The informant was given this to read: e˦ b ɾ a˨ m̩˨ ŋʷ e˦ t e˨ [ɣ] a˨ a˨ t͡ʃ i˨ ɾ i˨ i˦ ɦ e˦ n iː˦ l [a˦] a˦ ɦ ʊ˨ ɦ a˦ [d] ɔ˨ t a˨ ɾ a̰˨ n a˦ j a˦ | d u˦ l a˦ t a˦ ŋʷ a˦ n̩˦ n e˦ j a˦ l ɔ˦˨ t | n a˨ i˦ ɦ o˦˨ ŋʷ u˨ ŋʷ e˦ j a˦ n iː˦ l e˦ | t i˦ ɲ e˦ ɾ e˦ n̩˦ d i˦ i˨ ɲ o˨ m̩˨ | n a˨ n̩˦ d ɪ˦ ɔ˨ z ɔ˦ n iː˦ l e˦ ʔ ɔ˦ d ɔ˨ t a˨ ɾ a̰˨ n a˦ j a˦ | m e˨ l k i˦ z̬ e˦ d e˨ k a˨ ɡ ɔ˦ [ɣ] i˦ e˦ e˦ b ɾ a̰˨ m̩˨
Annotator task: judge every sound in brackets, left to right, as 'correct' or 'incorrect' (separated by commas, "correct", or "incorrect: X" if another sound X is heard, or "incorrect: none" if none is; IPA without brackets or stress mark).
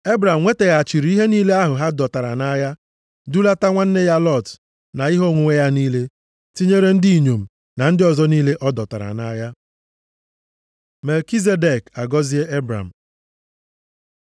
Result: correct, incorrect: e˦, correct, incorrect: z